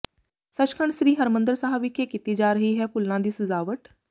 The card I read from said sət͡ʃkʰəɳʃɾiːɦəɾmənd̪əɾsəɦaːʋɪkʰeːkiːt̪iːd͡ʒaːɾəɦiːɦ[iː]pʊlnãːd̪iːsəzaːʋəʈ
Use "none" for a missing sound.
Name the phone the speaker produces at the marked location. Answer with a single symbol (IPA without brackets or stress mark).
ɛː